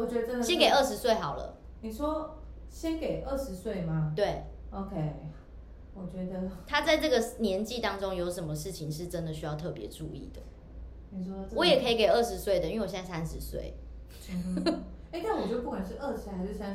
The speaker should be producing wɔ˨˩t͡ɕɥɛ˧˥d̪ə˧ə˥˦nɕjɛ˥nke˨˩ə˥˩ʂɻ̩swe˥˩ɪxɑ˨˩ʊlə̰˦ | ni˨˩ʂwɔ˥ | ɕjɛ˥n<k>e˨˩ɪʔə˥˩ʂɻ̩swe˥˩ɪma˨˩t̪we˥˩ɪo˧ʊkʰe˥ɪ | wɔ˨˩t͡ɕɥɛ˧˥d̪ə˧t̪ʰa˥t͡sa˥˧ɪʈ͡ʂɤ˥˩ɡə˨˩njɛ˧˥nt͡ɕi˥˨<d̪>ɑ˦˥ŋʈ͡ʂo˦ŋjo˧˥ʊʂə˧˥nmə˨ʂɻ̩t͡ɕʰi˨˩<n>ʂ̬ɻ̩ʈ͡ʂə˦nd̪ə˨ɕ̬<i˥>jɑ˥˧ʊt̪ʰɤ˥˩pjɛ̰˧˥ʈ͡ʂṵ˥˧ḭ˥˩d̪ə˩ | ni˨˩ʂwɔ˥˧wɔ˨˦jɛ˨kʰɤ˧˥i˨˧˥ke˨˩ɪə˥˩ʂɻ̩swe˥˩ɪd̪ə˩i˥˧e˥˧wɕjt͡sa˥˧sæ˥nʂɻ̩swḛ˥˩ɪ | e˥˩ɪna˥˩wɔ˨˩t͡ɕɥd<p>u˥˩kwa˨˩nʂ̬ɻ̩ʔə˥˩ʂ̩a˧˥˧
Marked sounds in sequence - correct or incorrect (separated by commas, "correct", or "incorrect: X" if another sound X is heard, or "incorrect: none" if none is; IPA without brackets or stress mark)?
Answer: correct, incorrect: t̪, incorrect: ŋ, incorrect: y˥, correct